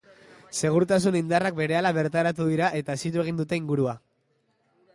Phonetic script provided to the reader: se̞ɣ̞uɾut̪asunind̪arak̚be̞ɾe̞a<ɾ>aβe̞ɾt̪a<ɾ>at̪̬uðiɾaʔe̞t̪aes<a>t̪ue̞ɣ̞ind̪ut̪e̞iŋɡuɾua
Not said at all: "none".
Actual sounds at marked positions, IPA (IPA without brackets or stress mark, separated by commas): l, ɾ, i